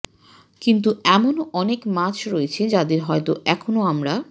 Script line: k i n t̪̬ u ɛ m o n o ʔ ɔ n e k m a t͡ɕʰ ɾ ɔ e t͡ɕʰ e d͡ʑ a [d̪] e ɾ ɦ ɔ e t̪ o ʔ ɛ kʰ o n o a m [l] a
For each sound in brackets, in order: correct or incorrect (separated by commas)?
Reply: correct, incorrect